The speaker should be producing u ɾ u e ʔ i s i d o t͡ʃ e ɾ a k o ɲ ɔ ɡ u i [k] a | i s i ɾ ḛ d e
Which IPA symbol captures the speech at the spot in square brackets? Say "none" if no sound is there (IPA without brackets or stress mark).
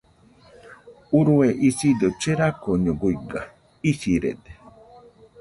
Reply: ɡ